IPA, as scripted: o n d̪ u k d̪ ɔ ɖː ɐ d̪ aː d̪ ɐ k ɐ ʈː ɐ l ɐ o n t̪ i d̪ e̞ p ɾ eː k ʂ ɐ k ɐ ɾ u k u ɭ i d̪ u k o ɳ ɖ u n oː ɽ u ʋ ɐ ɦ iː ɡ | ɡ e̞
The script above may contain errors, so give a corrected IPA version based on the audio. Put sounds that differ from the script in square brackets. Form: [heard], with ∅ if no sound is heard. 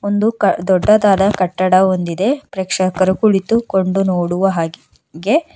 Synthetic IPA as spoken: o n d̪ u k d̪ ɔ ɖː ɐ d̪ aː d̪ ɐ k ɐ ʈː ɐ [ɽ] ɐ o n [d̪] i d̪ e̞ p ɾ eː k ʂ ɐ k ɐ ɾ u k u ɭ i [t̪] u k o ɳ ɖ u n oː ɽ u ʋ ɐ ɦ [aː] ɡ | ɡ e̞